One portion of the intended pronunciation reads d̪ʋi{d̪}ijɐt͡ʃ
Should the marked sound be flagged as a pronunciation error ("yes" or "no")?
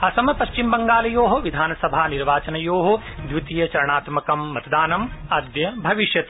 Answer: yes